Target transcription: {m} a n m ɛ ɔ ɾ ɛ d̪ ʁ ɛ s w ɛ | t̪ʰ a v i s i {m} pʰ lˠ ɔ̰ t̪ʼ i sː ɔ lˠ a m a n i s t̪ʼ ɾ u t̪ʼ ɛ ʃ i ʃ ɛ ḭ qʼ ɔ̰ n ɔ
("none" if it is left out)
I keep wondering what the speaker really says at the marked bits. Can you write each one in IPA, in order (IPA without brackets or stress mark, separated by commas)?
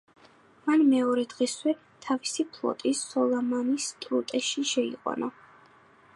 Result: m, none